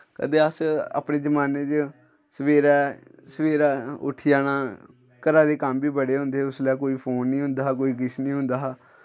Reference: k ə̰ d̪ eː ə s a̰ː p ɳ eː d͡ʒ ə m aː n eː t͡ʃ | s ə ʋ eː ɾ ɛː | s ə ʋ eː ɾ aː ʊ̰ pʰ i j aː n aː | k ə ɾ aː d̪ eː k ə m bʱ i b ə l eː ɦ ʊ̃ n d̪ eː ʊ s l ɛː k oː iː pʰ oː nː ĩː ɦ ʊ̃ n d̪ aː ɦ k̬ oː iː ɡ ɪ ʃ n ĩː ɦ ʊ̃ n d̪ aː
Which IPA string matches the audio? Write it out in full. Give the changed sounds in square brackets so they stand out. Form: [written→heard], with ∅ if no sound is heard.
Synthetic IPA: k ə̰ d̪ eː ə s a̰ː p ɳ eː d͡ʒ ə m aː n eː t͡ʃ | s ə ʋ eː ɾ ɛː | s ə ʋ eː ɾ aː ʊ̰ [pʰ→ʈʰ] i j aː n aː | k ə ɾ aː d̪ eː k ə m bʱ [i→iː] b ə [l→ɽ] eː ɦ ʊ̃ n d̪ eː ʊ s l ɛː k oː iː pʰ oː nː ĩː ɦ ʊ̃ n d̪ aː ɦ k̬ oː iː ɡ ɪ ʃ n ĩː ɦ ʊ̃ n d̪ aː